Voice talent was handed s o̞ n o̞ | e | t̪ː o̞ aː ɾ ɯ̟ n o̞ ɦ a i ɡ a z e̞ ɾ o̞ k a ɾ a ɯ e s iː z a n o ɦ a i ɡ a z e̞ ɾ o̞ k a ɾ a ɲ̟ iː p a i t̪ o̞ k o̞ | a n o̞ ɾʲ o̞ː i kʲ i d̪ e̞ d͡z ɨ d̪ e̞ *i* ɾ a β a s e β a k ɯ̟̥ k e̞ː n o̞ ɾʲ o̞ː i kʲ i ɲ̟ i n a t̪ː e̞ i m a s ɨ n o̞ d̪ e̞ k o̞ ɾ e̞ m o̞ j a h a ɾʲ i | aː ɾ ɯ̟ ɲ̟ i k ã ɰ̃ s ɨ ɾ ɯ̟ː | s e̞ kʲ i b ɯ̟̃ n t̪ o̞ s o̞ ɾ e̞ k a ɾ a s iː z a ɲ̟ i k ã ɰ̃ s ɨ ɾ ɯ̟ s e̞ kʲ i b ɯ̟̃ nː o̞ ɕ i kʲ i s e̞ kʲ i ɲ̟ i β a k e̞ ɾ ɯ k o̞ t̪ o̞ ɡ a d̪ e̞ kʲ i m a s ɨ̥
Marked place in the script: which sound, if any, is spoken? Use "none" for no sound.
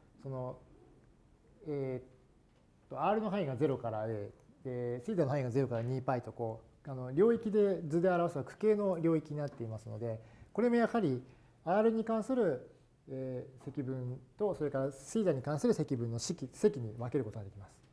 a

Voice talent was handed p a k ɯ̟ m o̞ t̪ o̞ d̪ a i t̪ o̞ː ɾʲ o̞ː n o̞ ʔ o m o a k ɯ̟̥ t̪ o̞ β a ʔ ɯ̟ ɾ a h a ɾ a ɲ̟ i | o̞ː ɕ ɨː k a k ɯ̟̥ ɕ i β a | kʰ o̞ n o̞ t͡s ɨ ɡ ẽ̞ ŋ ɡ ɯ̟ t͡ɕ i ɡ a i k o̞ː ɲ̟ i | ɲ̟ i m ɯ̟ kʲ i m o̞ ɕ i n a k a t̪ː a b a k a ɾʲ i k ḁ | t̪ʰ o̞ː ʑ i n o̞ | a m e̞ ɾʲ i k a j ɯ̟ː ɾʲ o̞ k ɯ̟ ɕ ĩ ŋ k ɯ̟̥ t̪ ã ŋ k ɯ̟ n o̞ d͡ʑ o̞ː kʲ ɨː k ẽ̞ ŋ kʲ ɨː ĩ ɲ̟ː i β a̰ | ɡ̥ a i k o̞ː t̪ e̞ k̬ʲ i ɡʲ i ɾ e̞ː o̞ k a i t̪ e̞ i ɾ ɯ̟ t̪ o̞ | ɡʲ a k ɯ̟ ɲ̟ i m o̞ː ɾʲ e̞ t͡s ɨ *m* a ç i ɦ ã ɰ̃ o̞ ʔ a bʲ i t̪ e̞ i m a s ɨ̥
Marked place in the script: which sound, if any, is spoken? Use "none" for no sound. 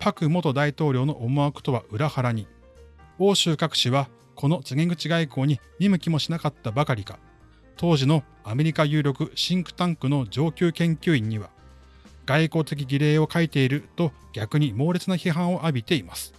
n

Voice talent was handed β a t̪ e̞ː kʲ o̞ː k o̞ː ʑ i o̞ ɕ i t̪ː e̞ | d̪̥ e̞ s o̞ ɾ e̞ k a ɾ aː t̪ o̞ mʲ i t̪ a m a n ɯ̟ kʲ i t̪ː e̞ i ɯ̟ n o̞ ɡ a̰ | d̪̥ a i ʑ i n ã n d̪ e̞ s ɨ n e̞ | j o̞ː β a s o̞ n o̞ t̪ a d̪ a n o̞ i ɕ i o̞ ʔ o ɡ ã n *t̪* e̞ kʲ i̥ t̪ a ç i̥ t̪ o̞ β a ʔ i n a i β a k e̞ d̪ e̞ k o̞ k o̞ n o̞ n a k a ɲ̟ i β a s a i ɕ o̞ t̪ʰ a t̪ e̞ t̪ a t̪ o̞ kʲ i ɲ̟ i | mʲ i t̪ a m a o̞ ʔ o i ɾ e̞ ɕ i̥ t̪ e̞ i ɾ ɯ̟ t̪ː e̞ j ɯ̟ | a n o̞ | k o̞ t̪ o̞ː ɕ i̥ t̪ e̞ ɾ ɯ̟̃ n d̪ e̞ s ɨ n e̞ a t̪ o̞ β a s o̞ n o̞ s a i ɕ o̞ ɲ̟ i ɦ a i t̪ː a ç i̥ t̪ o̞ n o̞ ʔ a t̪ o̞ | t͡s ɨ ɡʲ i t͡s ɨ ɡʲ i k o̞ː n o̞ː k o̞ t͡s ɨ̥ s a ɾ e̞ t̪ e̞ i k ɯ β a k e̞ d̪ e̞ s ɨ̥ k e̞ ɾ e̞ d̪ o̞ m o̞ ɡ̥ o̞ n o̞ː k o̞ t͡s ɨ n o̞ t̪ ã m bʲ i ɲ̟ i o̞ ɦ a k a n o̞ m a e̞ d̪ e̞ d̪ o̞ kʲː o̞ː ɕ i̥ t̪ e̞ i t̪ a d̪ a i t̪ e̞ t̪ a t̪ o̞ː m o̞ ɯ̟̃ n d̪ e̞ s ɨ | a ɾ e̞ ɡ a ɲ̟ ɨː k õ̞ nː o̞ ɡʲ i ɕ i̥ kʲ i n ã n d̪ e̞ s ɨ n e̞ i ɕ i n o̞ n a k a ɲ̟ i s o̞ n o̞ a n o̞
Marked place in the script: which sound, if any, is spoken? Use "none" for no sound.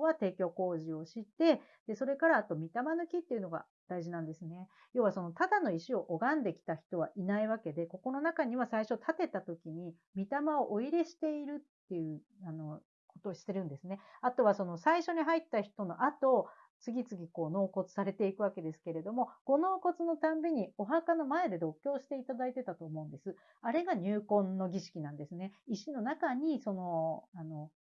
d̪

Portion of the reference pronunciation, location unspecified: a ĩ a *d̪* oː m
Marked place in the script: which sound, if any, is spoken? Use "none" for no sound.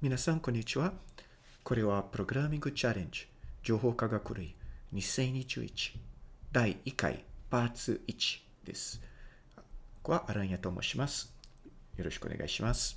t̪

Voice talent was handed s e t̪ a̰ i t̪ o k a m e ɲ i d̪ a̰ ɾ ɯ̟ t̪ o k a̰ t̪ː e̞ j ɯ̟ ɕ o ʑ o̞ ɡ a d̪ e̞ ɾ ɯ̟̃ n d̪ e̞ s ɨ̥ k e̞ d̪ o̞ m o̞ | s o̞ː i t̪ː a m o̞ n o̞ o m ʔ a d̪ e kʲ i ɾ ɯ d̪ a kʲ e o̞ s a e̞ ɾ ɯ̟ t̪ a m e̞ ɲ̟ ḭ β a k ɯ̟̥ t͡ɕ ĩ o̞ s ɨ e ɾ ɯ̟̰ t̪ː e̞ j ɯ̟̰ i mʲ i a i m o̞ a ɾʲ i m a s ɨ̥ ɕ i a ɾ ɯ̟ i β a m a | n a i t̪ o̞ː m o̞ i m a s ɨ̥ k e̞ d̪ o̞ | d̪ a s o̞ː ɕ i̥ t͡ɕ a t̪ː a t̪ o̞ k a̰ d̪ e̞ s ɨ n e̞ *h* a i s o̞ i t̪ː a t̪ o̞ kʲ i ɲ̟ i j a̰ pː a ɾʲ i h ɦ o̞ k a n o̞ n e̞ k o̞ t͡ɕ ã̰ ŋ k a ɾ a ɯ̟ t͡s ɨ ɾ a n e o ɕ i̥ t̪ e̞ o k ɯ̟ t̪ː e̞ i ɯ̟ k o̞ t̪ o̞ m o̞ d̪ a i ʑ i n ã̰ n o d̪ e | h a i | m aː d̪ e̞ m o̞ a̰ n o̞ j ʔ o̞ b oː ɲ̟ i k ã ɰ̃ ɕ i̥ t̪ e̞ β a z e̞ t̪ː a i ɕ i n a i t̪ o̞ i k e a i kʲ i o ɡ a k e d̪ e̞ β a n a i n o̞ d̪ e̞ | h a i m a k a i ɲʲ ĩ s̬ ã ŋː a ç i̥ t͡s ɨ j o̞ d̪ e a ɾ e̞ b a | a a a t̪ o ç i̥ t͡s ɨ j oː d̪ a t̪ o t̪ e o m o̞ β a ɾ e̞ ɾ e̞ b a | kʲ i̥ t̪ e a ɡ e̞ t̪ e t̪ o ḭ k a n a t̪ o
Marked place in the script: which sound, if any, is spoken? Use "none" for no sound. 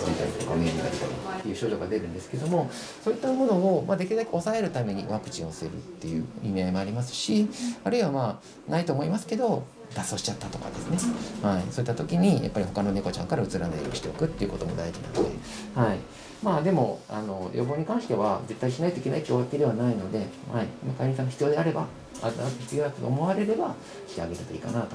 h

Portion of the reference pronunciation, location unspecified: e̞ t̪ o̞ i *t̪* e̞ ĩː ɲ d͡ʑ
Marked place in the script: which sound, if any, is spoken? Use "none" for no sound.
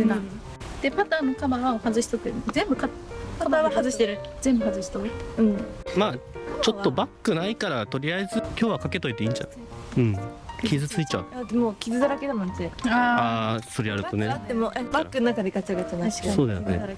t̪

